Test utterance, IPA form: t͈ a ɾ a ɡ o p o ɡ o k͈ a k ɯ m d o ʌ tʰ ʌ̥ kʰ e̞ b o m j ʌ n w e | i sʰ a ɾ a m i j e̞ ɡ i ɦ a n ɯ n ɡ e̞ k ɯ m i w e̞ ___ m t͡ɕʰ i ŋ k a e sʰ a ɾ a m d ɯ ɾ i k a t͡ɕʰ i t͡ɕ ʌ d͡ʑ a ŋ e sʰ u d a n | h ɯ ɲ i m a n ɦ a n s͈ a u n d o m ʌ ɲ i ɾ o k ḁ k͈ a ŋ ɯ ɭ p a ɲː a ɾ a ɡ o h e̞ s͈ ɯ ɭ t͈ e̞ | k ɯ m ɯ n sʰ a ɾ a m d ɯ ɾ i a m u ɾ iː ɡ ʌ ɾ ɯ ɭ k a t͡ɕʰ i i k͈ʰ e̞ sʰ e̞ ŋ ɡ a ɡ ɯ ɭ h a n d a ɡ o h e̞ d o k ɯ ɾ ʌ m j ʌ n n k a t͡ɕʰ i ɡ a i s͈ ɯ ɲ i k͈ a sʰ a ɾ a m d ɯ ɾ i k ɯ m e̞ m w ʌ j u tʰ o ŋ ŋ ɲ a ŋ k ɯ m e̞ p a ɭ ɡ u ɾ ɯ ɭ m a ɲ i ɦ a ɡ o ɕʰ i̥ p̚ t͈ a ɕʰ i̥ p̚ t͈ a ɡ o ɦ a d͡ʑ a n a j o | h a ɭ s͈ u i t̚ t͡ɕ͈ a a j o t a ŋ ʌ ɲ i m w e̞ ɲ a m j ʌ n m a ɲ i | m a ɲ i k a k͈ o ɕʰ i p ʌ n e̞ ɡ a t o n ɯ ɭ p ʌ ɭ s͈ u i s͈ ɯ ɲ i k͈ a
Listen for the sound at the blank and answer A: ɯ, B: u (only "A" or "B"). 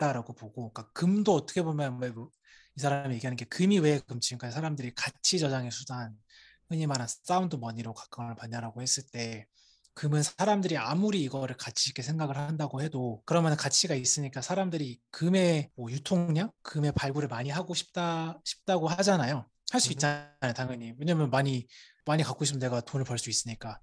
A